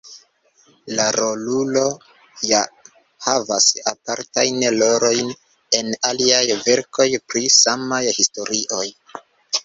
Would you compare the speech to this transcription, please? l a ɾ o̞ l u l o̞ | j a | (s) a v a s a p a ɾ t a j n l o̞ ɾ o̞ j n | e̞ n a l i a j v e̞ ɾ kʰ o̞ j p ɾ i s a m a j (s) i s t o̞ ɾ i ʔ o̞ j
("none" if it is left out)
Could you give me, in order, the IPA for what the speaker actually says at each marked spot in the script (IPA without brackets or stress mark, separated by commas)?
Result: h, h